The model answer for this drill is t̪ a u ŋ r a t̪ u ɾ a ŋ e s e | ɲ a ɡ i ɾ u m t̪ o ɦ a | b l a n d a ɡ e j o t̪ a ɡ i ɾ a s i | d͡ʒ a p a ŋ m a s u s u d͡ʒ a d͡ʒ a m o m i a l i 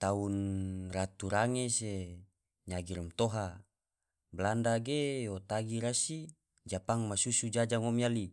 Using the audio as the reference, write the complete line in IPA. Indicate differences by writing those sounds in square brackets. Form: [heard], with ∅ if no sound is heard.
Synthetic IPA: t̪ a u [n] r a t̪ u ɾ a ŋ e s e | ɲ a ɡ i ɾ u m t̪ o ɦ a | b l a n d a ɡ e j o t̪ a ɡ i ɾ a s i | d͡ʒ a p a ŋ m a s u s u d͡ʒ a d͡ʒ a [ŋ] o m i a l i